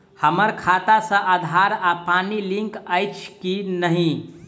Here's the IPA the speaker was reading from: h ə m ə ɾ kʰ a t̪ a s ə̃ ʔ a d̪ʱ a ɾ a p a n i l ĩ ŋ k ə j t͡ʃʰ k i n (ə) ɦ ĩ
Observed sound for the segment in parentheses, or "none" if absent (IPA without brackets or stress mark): ə